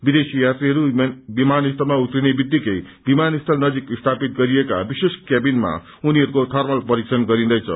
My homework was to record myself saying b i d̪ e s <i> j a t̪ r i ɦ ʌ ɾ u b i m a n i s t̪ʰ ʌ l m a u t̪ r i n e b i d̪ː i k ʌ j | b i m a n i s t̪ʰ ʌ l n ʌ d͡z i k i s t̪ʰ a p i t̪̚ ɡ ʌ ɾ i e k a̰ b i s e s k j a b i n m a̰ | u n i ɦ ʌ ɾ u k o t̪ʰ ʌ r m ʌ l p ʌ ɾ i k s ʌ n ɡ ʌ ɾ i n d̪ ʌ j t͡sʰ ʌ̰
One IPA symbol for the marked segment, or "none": i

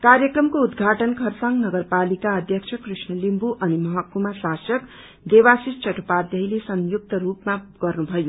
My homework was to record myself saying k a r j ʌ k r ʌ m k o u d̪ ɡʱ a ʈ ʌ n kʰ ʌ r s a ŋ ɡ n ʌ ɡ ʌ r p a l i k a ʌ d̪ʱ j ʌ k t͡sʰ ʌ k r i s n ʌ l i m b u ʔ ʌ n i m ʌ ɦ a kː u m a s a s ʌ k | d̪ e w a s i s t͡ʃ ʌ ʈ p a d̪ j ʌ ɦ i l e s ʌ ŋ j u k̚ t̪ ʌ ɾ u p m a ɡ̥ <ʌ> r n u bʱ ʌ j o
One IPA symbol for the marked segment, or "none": ʌ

